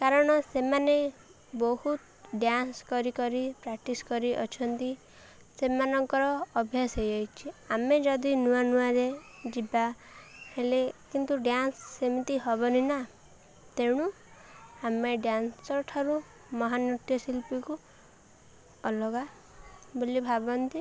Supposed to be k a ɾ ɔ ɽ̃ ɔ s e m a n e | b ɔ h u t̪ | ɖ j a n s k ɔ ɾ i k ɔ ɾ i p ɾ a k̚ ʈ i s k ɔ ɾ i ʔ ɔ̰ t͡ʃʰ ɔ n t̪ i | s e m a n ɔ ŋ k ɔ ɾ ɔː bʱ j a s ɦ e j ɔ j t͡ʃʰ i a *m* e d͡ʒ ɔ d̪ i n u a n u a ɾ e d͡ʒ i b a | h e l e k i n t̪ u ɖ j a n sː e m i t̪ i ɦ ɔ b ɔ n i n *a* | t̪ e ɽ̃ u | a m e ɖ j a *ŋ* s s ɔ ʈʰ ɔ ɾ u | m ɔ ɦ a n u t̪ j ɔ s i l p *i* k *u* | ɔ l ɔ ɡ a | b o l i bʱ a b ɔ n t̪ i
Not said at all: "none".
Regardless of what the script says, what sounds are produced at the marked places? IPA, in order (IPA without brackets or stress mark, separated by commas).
m, a, n, i, u